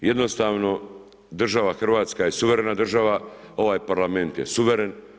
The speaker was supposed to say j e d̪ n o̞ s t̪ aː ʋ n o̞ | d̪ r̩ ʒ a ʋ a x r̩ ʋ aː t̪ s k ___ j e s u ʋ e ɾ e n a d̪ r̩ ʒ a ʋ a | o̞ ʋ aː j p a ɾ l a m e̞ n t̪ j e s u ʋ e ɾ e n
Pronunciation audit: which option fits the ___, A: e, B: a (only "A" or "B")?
B